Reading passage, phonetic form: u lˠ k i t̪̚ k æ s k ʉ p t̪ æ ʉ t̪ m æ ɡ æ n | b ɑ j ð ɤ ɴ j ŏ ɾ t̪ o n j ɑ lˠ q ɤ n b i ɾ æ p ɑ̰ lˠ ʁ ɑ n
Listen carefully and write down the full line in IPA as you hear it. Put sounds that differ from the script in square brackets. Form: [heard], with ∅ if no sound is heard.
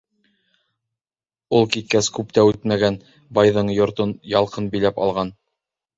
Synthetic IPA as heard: u lˠ k i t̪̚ k æ s k ʉ p t̪ æ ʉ t̪ m æ ɡ æ n | b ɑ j ð ɤ ɴ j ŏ ɾ t̪ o n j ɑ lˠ q ɤ n b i [l] æ p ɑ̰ lˠ ʁ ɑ n